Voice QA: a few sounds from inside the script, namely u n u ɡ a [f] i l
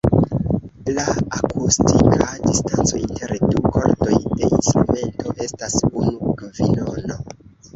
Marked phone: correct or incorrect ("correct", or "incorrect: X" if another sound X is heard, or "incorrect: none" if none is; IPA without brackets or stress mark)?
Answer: incorrect: v